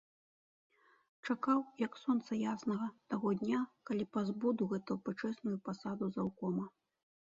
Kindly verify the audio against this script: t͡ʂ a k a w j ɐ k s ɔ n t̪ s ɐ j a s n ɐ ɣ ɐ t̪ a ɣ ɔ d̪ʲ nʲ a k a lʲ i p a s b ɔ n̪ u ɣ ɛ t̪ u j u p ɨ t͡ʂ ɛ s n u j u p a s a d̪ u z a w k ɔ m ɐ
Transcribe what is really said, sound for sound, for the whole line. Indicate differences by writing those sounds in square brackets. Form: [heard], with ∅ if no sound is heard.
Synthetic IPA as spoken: t͡ʂ a k a w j ɐ k s ɔ n t̪ s ɐ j a s n ɐ ɣ ɐ t̪ a ɣ ɔ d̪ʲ nʲ a k a lʲ i p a [z] b ɔ [d̪] u ɣ ɛ t̪ u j u p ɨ t͡ʂ ɛ s n u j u p a s a d̪ u z a w k ɔ m ɐ